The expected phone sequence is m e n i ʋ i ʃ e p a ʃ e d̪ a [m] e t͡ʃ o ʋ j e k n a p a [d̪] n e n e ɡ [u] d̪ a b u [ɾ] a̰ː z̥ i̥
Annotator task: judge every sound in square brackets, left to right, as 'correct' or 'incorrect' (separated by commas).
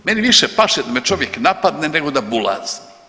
correct, correct, incorrect, incorrect